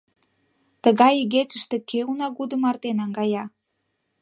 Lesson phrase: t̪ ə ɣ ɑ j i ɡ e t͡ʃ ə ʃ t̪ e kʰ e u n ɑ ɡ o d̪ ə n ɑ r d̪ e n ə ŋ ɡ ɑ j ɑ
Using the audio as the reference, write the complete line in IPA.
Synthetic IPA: t̪ ə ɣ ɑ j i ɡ e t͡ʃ ə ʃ t̪ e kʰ e u n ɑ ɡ u d̪ ə m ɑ r t̪ e n ɑ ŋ ɡ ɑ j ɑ